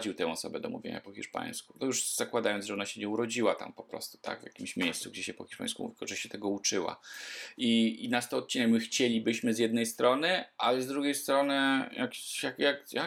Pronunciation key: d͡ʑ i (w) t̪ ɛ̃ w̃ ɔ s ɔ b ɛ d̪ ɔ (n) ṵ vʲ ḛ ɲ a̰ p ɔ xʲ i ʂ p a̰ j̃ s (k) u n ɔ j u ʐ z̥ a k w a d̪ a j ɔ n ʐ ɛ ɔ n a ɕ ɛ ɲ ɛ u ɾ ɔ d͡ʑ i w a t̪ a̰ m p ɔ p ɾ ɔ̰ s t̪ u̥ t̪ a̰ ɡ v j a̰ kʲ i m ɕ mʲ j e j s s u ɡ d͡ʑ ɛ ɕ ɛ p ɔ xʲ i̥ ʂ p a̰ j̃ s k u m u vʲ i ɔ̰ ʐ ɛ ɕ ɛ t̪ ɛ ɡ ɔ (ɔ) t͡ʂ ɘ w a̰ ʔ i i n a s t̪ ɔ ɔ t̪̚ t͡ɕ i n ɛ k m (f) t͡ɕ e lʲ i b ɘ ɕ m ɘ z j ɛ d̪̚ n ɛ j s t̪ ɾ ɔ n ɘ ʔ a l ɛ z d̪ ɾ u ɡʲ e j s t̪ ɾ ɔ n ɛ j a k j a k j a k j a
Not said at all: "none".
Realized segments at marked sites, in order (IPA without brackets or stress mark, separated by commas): w, m, k, u, x